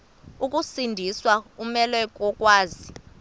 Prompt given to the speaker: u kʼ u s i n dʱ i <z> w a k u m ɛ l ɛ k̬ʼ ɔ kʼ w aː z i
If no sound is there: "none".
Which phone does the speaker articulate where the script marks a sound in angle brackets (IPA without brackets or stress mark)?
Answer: s